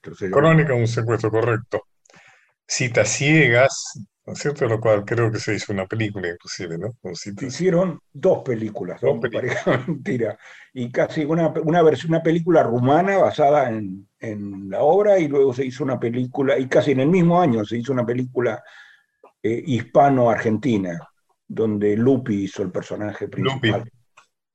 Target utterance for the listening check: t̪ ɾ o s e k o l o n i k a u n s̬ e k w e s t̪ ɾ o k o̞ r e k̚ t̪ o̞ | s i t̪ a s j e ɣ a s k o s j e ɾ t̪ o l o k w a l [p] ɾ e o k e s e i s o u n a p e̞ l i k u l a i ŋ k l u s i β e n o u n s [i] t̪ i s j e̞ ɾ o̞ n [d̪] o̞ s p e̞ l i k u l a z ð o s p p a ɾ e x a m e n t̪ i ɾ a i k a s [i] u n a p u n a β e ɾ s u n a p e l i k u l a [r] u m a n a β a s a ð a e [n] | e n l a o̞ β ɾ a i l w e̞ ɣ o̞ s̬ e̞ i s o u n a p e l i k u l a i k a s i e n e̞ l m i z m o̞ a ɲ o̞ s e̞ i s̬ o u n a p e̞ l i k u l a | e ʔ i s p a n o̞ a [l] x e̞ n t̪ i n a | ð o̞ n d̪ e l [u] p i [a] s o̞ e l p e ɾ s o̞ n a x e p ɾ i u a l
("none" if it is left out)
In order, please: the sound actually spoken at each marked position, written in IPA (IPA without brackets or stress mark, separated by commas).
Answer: k, i, d̪, i, r, n, ɾ, u, i